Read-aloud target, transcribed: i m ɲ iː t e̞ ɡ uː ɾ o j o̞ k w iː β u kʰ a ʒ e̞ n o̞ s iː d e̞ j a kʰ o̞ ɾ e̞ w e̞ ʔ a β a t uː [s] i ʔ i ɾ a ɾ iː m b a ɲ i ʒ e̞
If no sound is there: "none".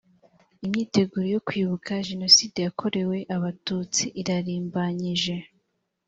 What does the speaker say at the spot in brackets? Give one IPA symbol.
t͡s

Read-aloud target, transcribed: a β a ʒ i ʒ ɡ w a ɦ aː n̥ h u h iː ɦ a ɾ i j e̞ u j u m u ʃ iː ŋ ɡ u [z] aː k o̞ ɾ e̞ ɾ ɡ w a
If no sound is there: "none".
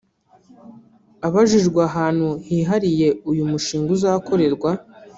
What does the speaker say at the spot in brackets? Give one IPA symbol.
z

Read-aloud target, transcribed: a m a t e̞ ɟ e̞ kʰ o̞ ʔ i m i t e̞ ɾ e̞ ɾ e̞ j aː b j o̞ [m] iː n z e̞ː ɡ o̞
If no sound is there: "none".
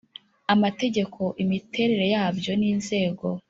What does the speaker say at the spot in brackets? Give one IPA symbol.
n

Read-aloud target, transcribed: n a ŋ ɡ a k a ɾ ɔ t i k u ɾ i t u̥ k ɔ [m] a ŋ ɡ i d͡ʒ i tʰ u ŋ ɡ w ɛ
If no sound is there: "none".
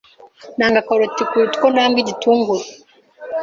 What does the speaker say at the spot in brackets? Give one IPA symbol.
n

